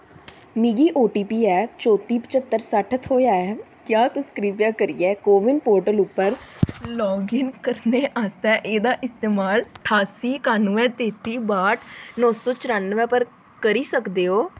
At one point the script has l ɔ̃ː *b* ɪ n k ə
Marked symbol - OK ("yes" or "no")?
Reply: no